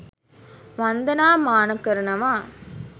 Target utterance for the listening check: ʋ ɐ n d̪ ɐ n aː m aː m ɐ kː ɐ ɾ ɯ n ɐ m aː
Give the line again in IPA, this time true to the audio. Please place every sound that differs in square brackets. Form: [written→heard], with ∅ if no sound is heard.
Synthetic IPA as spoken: ʋ ɐ n d̪ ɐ n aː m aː [m→n] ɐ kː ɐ ɾ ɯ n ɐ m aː